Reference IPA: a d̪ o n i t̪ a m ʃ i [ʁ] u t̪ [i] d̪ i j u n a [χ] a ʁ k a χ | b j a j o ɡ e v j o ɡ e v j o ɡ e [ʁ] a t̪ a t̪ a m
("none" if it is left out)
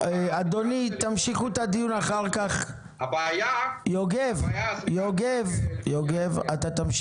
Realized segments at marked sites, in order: χ, a, χ, v

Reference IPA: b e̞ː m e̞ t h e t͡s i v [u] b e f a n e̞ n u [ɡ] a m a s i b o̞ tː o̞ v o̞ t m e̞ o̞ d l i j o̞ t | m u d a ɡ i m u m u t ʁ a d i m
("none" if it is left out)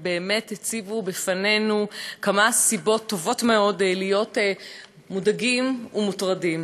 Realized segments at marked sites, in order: u, k

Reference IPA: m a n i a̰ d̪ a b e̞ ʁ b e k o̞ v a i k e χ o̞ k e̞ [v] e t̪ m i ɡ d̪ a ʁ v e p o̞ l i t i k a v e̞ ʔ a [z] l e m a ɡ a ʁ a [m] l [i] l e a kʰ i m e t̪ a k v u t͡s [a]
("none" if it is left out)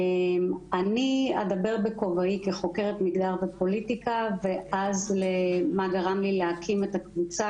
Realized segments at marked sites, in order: ʁ, z, m, i, a

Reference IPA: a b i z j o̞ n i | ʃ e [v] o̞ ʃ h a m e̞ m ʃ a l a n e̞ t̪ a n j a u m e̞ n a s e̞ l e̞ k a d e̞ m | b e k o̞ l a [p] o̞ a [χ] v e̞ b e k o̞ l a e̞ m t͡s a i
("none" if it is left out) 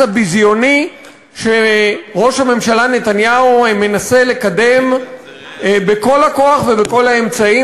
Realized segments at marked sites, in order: ʁ, k, χ

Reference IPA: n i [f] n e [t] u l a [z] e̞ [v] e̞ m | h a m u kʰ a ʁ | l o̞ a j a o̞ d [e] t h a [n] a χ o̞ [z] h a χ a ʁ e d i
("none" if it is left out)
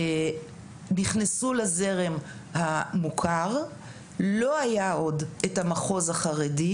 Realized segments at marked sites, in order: χ, s, z, ʁ, e, m, z

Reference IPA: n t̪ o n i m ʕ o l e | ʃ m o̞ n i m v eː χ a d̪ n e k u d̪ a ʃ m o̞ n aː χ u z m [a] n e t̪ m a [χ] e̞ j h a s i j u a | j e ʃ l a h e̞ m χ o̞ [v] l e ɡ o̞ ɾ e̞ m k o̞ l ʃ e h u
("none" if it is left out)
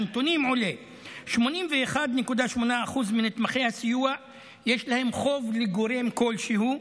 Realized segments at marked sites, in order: i, χ, v

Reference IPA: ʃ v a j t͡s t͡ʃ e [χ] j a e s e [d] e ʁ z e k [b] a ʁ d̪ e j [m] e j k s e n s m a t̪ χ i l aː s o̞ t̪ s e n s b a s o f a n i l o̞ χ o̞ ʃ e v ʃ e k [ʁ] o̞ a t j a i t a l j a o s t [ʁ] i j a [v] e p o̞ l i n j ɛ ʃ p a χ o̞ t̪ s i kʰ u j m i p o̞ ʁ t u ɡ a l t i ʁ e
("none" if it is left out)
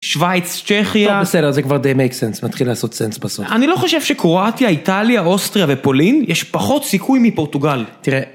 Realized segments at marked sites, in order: χ, d, v, m, ʁ, ʁ, v

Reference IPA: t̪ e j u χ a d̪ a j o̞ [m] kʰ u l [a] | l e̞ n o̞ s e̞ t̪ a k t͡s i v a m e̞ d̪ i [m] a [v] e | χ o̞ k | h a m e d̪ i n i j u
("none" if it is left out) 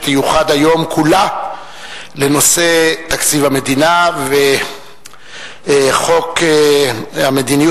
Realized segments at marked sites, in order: m, a, n, v

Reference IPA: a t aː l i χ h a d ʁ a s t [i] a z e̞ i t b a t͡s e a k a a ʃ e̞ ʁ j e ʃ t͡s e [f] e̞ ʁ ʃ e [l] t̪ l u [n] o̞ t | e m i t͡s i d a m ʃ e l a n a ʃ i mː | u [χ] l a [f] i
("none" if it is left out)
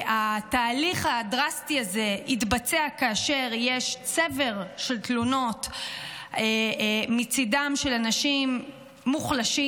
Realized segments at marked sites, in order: i, v, l, n, χ, ʃ

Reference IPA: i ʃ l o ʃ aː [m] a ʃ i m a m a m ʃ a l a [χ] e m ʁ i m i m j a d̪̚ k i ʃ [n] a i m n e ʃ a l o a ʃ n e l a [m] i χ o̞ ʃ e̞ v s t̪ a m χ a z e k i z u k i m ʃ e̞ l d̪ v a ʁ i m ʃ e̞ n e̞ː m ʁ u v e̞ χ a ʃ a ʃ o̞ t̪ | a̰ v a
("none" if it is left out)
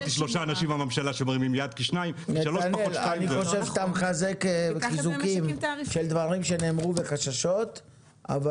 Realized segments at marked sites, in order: n, ʃ, n, n

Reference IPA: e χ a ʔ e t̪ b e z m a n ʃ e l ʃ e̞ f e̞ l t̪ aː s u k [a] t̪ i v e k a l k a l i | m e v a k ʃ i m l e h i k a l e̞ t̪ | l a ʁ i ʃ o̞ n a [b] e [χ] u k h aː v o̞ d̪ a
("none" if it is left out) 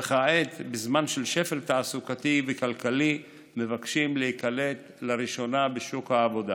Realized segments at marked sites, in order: a, b, ʃ

